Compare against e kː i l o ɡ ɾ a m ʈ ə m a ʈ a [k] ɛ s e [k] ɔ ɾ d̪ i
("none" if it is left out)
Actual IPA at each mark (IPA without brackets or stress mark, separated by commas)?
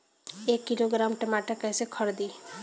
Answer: k, kʰ